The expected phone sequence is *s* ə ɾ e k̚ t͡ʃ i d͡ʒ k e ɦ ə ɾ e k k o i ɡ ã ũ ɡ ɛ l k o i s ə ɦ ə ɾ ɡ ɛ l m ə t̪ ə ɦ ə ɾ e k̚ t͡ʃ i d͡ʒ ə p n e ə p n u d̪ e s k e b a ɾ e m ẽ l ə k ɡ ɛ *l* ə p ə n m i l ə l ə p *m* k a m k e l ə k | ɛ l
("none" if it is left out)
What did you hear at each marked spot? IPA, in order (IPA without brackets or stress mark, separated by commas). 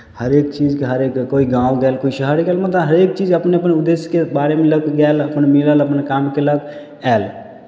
h, l, n